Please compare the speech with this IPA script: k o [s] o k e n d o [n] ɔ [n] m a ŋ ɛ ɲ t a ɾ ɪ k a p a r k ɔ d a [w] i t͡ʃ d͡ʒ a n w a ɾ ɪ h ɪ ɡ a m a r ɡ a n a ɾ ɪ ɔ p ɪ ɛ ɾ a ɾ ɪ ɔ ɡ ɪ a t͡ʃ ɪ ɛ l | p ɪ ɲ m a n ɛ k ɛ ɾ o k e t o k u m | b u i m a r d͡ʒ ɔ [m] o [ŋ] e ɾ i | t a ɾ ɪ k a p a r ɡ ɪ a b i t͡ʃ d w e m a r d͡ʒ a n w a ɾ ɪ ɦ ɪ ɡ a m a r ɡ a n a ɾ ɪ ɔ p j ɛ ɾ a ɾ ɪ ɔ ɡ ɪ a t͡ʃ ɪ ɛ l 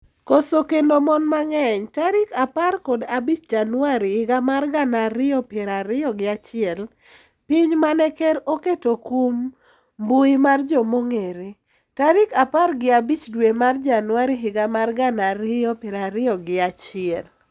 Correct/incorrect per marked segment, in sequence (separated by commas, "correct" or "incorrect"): correct, incorrect, correct, incorrect, correct, correct